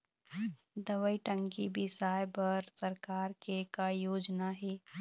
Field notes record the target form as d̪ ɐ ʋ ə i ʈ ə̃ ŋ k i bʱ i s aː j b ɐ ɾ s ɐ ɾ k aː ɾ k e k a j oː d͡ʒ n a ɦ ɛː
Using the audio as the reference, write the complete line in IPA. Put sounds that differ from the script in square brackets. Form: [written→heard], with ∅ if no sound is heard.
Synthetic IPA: d̪ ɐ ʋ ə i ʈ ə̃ ŋ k i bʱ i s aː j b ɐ ɾ s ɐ ɾ k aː ɾ k e k a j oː d͡ʒ n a ɦ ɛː